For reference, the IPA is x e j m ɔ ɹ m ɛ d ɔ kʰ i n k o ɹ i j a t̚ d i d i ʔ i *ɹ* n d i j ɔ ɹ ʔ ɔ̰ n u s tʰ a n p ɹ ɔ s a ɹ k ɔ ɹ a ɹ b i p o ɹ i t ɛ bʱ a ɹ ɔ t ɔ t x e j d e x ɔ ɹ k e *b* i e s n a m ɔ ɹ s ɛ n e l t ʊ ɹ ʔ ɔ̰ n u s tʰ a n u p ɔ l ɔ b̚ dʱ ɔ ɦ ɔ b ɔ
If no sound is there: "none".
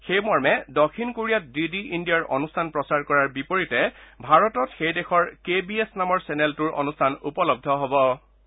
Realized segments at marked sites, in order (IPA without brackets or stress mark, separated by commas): none, b